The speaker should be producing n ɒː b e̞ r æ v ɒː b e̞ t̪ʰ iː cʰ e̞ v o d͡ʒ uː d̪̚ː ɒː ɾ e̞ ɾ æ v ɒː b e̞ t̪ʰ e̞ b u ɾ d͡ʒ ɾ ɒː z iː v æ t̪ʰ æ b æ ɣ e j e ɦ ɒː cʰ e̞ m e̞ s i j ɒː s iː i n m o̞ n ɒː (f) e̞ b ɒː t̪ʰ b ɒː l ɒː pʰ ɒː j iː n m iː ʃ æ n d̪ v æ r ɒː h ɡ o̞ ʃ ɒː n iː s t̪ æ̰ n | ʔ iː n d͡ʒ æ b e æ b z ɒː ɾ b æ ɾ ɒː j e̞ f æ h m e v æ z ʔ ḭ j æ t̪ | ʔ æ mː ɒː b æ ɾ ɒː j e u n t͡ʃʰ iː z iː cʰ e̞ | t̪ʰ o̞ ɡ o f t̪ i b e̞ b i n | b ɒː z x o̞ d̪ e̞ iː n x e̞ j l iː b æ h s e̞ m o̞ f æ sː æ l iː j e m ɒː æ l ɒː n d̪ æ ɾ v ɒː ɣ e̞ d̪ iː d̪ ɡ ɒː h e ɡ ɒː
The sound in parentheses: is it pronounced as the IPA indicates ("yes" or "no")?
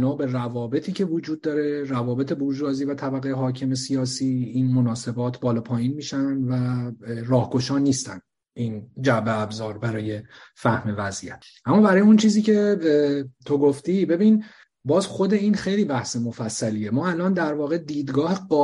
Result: no